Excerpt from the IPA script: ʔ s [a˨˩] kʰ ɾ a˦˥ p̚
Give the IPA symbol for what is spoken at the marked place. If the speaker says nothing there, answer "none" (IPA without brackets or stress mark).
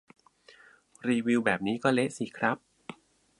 i˨˩